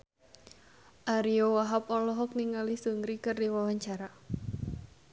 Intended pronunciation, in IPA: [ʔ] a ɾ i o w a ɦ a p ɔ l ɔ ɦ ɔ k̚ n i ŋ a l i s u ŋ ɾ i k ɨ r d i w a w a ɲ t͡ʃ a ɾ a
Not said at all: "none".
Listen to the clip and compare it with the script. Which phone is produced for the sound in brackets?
ʔ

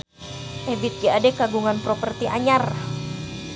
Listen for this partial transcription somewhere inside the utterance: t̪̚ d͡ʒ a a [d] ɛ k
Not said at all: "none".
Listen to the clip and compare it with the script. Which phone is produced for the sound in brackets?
d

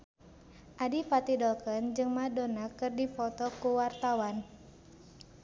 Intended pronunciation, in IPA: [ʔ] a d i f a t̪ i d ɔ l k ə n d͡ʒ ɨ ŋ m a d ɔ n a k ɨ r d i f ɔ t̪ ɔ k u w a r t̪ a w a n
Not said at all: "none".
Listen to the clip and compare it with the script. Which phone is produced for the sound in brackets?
ʔ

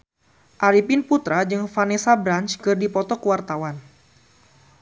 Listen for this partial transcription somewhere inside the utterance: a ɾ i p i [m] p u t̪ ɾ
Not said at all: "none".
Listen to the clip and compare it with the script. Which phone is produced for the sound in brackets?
n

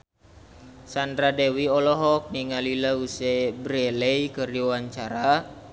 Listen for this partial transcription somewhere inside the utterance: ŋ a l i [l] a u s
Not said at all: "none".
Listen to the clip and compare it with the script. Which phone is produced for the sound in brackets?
l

